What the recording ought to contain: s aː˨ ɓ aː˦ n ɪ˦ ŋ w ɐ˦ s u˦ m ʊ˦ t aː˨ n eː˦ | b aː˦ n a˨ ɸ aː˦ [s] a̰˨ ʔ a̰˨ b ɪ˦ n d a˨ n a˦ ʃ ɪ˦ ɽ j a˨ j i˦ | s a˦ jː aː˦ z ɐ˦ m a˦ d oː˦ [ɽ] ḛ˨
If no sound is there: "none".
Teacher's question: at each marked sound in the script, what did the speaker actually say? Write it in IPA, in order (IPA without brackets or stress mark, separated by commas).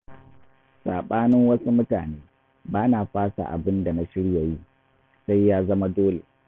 s, l